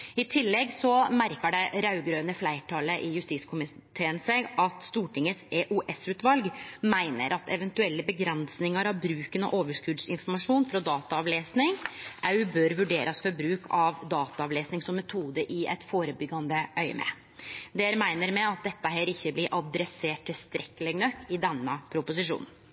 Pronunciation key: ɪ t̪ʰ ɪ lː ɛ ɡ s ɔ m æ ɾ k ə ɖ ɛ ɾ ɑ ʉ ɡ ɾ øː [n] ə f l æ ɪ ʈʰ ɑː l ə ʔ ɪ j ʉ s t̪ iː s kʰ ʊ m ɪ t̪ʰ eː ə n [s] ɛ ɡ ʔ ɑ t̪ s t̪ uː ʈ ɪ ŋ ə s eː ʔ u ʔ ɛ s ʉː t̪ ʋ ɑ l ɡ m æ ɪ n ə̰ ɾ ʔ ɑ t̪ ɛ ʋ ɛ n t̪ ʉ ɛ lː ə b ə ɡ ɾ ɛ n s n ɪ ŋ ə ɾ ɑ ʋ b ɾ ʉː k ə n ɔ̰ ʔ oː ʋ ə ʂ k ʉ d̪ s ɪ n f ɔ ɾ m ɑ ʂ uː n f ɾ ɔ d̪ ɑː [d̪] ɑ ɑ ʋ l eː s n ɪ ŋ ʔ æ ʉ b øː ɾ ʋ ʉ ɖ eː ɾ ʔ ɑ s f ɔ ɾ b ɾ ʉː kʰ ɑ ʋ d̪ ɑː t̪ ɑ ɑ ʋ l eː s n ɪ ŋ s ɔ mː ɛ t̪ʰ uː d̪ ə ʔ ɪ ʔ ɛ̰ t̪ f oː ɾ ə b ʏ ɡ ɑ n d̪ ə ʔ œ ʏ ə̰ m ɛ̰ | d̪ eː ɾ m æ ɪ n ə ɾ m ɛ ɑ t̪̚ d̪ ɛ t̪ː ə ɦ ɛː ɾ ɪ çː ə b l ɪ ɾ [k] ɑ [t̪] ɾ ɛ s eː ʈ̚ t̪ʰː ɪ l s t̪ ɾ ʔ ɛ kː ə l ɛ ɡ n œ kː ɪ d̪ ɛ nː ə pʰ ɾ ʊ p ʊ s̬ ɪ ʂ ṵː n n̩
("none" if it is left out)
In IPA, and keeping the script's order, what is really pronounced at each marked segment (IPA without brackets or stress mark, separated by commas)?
n, s, t̪, ʔ, d̪